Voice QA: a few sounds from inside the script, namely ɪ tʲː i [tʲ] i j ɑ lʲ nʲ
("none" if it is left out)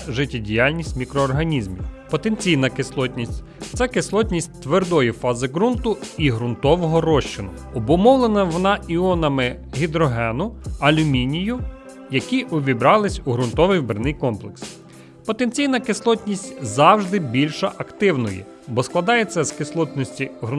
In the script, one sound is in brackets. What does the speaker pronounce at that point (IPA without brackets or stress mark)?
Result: dʲ